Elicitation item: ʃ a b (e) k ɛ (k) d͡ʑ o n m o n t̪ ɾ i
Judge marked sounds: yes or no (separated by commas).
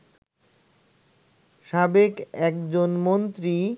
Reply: yes, yes